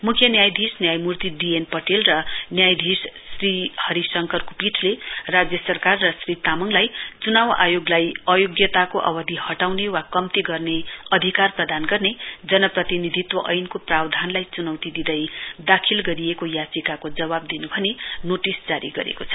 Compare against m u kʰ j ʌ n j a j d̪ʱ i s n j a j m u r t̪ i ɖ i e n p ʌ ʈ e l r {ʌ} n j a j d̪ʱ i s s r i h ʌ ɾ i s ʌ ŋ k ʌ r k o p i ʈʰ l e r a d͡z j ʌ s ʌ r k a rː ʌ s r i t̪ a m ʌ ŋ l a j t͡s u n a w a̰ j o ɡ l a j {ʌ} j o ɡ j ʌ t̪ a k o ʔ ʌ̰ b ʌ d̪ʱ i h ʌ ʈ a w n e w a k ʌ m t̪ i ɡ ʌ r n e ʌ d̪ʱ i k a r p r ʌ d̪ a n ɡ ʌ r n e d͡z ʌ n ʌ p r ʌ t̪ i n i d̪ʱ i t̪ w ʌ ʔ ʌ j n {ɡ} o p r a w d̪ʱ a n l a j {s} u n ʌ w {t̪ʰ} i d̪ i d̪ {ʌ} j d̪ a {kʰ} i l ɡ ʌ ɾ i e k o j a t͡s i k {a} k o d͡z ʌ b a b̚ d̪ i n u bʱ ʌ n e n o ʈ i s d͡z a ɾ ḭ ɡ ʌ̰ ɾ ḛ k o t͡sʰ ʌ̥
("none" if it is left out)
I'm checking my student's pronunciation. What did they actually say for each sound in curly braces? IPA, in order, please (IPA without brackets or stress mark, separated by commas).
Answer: ʌ, ʌ, k, t͡s, t̪, ʌ, kʰ, a